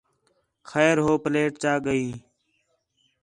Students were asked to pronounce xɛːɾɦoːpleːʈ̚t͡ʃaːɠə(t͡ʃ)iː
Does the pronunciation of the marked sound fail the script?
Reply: yes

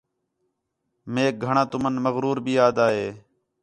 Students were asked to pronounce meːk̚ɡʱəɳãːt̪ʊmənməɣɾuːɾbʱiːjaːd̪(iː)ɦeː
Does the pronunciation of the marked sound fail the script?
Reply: yes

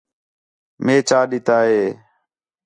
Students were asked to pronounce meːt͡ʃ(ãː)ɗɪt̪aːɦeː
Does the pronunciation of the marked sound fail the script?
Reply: yes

